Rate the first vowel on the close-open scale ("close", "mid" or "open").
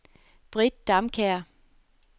close